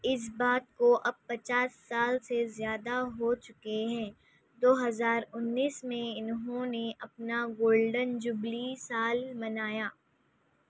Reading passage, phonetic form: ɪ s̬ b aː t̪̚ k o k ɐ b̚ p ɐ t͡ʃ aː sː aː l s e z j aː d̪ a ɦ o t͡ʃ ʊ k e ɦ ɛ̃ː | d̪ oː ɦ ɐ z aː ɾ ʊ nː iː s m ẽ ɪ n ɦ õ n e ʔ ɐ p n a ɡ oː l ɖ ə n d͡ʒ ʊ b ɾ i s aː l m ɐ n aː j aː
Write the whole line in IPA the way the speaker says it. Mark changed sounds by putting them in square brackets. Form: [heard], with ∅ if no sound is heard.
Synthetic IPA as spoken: ɪ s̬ b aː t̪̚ k o [ʔ] ɐ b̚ p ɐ t͡ʃ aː sː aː l s e z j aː d̪ a ɦ o t͡ʃ ʊ k e ɦ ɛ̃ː | d̪ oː ɦ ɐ z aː ɾ ʊ nː iː s m ẽ ɪ n ɦ õ n e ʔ ɐ p n a ɡ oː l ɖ ə n d͡ʒ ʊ b [l] i s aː l m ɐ n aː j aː

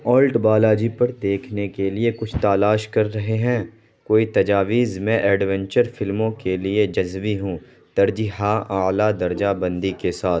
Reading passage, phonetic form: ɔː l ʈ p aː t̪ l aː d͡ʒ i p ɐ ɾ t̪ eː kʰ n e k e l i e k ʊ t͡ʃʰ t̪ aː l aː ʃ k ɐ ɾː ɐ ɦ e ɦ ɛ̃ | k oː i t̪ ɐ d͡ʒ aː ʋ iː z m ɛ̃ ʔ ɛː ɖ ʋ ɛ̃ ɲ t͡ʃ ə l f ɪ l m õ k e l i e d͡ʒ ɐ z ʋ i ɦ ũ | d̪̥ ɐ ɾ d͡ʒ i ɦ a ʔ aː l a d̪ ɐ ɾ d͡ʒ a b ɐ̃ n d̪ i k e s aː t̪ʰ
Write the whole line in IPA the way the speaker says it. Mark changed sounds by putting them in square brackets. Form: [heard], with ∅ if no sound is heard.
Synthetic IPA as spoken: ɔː l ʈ [b] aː [∅] l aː d͡ʒ i p ɐ ɾ [d̪] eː kʰ n e k e l i e k ʊ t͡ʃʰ t̪ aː l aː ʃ k ɐ ɾː ɐ ɦ e ɦ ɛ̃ | k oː i t̪ ɐ d͡ʒ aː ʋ iː z m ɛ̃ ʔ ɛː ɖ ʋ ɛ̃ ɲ t͡ʃ ə [ɾ] f ɪ l m õ k e l i e d͡ʒ ɐ z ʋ i ɦ ũ | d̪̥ ɐ ɾ d͡ʒ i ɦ a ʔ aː l a d̪ ɐ ɾ d͡ʒ a b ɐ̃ n d̪ i k e s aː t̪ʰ

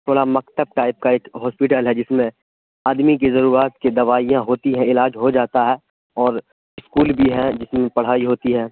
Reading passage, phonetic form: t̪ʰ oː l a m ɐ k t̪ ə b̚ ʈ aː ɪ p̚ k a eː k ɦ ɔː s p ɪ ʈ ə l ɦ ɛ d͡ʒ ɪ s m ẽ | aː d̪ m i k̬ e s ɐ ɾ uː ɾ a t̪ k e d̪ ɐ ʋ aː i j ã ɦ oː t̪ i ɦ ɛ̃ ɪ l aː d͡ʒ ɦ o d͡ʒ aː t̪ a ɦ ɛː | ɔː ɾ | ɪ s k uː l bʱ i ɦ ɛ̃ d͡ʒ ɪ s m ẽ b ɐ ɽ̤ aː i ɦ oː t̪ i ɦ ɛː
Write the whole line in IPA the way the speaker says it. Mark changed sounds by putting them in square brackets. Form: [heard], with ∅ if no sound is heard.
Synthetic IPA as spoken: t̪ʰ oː [ɽ] a m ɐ k t̪ ə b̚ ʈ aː ɪ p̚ k a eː k ɦ ɔː s p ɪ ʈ ə l ɦ ɛ d͡ʒ ɪ s m ẽ | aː d̪ m i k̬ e [z] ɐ ɾ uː ɾ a t̪ k e d̪ ɐ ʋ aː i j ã ɦ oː t̪ i ɦ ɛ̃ ɪ l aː d͡ʒ ɦ o d͡ʒ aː t̪ a ɦ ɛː | ɔː ɾ | ɪ s k uː l bʱ i ɦ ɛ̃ d͡ʒ ɪ s m ẽ [p] ɐ ɽ̤ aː i ɦ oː t̪ i ɦ ɛː

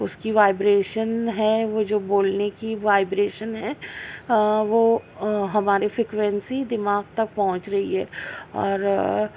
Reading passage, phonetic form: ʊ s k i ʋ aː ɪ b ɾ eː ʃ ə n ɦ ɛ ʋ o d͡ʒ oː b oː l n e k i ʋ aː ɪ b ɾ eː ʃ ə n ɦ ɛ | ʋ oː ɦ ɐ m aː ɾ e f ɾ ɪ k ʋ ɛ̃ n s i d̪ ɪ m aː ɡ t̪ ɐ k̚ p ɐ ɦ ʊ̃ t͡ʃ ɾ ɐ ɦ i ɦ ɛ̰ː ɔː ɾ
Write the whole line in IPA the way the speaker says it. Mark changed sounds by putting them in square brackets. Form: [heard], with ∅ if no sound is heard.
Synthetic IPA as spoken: ʊ s k i ʋ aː ɪ b ɾ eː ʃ ə n ɦ ɛ ʋ o d͡ʒ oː b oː l n e k i ʋ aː ɪ b ɾ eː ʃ ə n ɦ ɛ | ʋ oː ɦ ɐ m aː ɾ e f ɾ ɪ k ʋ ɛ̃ n s i d̪ ɪ m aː ɡ t̪ ɐ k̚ p ɐ ɦ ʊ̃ t͡ʃ ɾ ɐ ɦ i ɦ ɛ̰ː ɔː ɾ

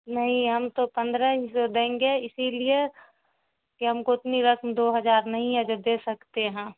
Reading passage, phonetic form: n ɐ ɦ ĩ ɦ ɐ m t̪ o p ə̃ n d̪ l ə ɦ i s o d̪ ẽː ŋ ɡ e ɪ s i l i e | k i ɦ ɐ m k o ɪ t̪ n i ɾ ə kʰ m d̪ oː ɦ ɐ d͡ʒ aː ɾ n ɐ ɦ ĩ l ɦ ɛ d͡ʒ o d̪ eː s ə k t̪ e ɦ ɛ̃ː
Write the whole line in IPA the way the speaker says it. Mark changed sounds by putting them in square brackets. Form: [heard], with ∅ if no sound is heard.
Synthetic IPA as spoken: n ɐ ɦ ĩ ɦ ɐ m t̪ o p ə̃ n d̪ [ɾ] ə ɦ i s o d̪ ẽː ŋ ɡ e ɪ s i l i e | k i ɦ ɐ m k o ɪ t̪ n i ɾ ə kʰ m d̪ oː ɦ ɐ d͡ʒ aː ɾ n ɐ ɦ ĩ [∅] ɦ ɛ d͡ʒ o d̪ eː s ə k t̪ e ɦ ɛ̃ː

